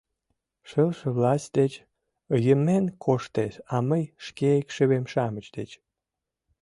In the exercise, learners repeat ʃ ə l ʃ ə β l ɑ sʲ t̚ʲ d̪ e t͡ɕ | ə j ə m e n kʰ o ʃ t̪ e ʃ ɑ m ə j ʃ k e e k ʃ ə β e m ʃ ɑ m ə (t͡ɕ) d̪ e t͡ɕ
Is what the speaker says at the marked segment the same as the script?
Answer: yes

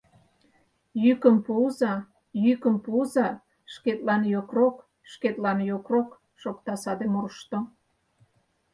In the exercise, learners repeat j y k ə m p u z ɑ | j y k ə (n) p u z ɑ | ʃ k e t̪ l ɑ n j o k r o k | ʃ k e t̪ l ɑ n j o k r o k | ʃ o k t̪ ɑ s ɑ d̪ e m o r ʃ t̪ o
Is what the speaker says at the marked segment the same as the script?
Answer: no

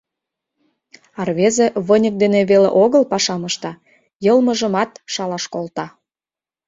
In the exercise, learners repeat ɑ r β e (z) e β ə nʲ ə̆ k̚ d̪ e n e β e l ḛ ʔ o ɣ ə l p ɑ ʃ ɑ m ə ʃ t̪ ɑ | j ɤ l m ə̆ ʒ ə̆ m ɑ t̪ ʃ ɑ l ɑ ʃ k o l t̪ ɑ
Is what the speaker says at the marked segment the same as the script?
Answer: yes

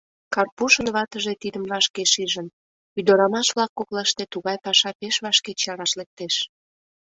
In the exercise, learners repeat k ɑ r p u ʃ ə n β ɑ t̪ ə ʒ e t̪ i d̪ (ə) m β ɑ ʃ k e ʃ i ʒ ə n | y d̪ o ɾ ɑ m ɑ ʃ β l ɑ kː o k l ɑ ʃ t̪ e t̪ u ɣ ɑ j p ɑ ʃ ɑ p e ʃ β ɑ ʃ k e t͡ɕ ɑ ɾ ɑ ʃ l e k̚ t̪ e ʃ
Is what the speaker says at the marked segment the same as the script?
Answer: yes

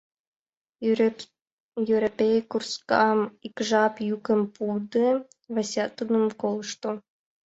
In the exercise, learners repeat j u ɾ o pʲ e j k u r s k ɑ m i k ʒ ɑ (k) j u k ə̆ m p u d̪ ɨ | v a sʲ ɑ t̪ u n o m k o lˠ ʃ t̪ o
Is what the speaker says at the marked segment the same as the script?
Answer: no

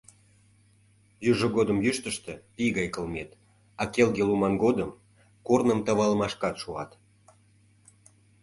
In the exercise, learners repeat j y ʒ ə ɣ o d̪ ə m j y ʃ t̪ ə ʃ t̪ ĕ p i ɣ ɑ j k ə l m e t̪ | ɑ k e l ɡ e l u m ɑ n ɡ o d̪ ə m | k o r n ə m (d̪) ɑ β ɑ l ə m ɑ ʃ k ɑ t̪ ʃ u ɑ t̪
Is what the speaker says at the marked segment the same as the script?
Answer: no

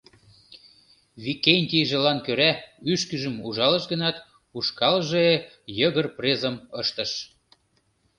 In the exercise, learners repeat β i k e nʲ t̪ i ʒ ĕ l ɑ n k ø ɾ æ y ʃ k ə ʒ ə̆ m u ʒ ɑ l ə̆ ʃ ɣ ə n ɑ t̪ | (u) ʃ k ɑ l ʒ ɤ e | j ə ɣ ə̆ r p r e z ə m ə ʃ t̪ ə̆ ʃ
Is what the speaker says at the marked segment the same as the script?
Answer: yes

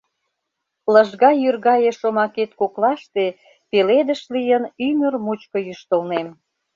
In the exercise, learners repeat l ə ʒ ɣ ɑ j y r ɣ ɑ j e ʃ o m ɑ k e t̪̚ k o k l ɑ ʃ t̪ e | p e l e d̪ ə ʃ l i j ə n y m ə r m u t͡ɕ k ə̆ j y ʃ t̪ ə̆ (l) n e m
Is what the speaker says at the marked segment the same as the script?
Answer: yes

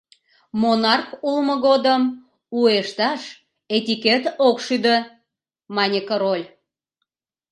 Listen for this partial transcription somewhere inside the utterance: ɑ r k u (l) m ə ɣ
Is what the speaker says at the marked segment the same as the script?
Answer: yes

